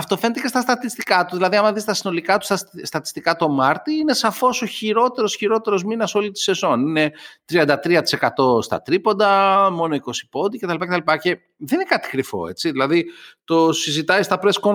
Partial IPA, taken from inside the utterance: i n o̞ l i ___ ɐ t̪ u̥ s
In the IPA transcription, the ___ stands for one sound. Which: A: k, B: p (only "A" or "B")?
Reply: A